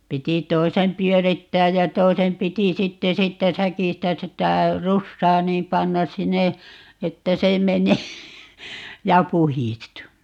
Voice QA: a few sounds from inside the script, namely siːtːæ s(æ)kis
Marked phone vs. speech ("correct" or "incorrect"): correct